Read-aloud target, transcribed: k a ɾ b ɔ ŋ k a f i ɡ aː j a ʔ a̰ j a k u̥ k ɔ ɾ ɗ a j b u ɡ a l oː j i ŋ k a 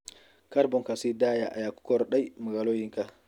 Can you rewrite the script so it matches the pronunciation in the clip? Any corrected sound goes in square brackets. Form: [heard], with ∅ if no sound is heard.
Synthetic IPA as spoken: k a ɾ b ɔ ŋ k a [s] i [d] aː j a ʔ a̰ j a k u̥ k ɔ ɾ ɗ a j [m] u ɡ a l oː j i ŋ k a

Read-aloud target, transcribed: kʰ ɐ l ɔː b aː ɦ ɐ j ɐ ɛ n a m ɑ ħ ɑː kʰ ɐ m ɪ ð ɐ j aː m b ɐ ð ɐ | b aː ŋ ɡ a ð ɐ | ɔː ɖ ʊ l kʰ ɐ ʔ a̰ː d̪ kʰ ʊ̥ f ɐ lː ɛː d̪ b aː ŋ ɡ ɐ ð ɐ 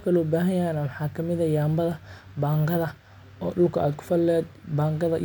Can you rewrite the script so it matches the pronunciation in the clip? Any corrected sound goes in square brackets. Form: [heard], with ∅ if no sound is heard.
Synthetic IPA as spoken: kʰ ɐ l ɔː b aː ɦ ɐ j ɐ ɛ n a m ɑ ħ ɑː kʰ ɐ m ɪ ð ɐ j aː m b ɐ ð ɐ | b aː ŋ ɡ [ɐ] ð ɐ | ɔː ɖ ʊ l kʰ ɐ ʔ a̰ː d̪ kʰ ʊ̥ f ɐ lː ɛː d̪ b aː ŋ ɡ ɐ ð ɐ

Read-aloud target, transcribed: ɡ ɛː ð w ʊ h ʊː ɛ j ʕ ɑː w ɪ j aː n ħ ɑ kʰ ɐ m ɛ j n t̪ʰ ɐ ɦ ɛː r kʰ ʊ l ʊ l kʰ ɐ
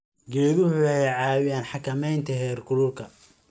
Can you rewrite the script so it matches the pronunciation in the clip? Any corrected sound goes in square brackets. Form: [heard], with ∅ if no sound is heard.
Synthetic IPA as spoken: ɡ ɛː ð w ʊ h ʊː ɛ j ʕ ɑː w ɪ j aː n ħ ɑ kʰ ɐ m ɛ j n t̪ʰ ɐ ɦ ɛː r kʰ ʊ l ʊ l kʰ ɐ

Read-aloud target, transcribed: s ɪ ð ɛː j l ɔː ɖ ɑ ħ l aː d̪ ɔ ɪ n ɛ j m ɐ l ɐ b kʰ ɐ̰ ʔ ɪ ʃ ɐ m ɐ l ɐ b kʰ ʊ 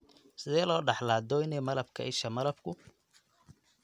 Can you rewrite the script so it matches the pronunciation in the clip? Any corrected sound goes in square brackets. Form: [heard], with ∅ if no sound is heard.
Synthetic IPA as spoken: s ɪ ð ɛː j l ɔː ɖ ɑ ħ l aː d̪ ɔ ɪ n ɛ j m ɐ l ɐ b kʰ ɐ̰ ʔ ɪ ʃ ɐ m ɐ l ɐ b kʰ ʊ

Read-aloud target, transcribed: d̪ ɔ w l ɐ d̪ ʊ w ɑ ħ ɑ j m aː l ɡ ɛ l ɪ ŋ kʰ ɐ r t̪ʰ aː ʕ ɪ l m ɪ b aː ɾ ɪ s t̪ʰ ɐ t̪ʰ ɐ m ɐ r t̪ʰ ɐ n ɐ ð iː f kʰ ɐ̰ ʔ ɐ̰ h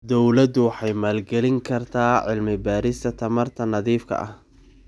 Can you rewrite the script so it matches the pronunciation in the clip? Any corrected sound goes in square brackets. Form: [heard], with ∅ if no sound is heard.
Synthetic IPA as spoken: d̪ ɔ w l ɐ d̪ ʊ w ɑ ħ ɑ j m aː l ɡ ɛ l ɪ ŋ kʰ ɐ r t̪ʰ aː ʕ ɪ l m ɪ b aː ɾ ɪ s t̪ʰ ɐ t̪ʰ ɐ m ɐ r t̪ʰ ɐ n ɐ ð iː f kʰ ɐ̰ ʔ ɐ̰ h

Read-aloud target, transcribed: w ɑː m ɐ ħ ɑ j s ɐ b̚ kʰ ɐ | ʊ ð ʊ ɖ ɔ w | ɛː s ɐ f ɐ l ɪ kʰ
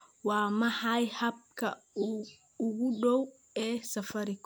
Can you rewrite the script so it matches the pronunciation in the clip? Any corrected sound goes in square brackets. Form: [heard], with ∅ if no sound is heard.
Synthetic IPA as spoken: w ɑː m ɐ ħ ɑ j [h] ɐ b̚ kʰ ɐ | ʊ [ɣ] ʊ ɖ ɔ w | ɛː s ɐ f ɐ [ɾ] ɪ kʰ

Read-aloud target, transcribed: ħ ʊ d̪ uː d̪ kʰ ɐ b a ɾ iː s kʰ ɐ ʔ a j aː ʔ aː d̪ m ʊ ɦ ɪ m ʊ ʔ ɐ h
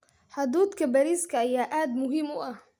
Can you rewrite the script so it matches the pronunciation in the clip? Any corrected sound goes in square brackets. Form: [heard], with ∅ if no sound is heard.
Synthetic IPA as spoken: ħ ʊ d̪ uː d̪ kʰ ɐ b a ɾ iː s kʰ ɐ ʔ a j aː ʔ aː d̪ m ʊ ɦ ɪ m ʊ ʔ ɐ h

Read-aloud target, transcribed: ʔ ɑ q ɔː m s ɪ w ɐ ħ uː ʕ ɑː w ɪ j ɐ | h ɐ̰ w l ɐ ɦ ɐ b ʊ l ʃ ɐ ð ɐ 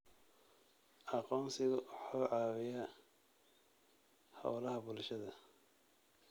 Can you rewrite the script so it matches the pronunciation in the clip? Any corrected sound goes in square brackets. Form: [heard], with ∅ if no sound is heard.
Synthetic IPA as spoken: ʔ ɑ q ɔː m s ɪ [ɣ] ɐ ħ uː ʕ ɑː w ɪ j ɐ | h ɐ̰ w l ɐ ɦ ɐ b ʊ l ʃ ɐ ð ɐ

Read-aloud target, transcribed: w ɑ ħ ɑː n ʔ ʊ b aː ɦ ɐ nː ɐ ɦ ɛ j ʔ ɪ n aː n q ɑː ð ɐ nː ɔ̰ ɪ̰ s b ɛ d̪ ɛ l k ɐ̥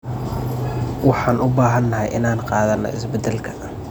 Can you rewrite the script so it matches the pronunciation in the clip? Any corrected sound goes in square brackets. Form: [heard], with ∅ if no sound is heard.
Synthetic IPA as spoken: w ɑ ħ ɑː n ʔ ʊ b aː ɦ ɐ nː ɐ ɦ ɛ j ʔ ɪ n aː n q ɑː ð ɐ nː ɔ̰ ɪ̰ s b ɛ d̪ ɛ l [kʰ] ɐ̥

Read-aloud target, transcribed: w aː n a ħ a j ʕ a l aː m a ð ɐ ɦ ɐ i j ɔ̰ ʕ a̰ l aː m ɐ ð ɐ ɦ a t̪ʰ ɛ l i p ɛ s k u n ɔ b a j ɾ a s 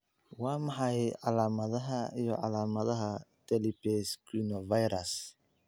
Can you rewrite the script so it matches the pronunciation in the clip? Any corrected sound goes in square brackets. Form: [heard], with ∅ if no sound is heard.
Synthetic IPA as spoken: w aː [m] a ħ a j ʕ a l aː m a ð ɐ ɦ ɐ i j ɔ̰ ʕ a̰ l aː m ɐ ð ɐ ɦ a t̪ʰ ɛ l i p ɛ s k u n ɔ [v] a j ɾ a s

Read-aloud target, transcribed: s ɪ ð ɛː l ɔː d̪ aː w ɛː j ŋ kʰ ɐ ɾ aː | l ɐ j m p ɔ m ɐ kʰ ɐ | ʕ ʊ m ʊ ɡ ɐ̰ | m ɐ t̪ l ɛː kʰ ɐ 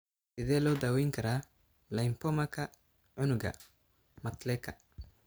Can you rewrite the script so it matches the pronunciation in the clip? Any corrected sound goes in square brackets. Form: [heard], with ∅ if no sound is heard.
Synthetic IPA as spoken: s ɪ ð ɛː l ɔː d̪ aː w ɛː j ŋ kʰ ɐ ɾ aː | l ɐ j m p ɔ m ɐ kʰ ɐ | ʕ ʊ [n] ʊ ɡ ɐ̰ | m ɐ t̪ l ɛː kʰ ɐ

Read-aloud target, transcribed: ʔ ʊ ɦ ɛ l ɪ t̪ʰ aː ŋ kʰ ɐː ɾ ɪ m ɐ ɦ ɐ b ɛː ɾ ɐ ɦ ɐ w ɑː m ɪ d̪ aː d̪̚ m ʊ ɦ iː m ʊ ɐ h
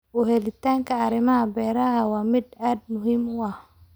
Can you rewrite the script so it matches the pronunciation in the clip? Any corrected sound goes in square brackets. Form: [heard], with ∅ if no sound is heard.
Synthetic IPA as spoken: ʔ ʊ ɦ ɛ l ɪ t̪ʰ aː ŋ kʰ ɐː ɾ ɪ m ɐ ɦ ɐ b ɛː ɾ ɐ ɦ ɐ w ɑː m ɪ d̪ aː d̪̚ m ʊ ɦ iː m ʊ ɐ h

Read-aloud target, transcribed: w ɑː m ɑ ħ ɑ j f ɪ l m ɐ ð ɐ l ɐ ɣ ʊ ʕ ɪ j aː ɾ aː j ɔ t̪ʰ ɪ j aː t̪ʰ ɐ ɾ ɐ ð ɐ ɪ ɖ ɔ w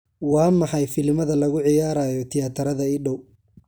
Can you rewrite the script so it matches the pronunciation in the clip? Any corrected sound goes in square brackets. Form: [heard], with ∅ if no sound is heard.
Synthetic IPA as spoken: w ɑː m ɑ ħ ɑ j f ɪ l m ɐ ð ɐ l ɐ ɣ ʊ ʕ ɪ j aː ɾ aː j ɔ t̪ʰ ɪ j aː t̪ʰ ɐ ɾ ɐ ð ɐ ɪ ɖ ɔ w

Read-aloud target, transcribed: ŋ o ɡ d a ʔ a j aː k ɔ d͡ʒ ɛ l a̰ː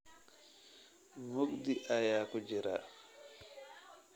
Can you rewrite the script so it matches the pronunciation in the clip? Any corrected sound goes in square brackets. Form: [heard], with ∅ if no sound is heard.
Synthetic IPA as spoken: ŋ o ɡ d [i] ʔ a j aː k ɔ d͡ʒ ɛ [ɾ] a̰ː

